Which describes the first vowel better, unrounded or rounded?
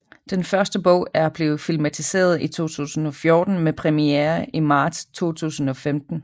unrounded